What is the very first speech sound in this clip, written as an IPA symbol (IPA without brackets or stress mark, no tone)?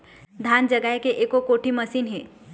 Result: d̪ʱ